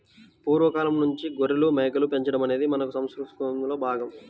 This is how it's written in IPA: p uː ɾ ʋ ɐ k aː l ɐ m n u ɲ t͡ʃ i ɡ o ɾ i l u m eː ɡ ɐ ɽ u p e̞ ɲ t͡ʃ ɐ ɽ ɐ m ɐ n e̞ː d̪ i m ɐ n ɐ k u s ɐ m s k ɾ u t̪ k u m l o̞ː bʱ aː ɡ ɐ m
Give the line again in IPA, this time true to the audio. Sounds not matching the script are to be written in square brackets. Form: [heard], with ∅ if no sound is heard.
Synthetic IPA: p uː ɾ ʋ ɐ k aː l ɐ m n u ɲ t͡ʃ i ɡ o ɾ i l u m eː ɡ ɐ [l] u p e̞ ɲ t͡ʃ ɐ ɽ ɐ m ɐ n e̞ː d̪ i m ɐ n ɐ k u s ɐ m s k ɾ u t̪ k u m l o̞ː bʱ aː ɡ ɐ m